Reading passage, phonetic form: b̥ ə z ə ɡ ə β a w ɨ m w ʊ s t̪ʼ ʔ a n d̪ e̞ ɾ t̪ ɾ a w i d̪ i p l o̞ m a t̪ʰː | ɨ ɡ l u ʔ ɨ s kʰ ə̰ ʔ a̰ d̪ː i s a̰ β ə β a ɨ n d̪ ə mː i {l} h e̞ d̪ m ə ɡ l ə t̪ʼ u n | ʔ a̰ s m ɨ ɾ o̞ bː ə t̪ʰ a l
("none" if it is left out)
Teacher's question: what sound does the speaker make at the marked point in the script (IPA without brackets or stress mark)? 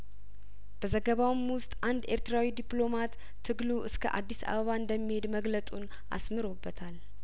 none